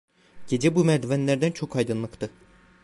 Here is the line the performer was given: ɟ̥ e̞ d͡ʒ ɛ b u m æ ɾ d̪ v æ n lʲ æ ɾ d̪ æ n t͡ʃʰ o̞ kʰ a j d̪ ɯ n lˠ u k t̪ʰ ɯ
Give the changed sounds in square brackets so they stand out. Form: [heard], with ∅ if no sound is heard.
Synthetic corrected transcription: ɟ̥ e̞ d͡ʒ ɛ b u m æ ɾ d̪ v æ n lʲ æ ɾ d̪ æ n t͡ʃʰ o̞ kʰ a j d̪ ɯ n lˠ [ɯ] k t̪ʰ ɯ